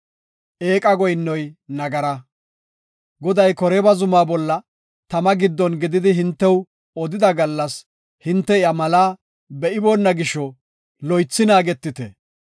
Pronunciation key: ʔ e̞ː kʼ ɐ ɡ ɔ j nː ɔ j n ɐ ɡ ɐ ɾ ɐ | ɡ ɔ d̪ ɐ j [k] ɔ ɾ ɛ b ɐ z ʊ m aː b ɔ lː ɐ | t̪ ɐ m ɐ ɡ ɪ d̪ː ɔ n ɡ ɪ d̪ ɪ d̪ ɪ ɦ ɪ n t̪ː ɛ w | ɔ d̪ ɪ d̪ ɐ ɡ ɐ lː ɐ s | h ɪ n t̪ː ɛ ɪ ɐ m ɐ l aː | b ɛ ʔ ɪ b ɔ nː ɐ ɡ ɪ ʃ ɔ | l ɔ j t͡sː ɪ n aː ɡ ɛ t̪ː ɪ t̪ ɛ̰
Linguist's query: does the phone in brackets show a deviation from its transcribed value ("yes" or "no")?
no